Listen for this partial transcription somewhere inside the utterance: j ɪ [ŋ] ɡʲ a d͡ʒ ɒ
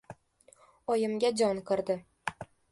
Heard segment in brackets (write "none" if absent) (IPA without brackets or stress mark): m